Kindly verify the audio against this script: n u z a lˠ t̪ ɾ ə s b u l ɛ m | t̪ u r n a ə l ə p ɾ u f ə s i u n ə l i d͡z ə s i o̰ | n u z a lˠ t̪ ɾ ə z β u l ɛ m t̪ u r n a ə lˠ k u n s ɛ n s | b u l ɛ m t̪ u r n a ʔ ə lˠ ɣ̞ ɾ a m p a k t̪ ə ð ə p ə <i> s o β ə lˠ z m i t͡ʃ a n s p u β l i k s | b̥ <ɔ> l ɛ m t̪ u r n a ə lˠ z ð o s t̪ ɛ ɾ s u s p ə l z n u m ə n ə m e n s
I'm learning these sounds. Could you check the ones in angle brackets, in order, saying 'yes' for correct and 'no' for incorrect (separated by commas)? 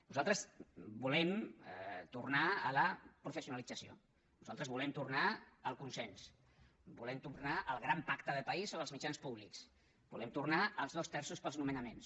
yes, no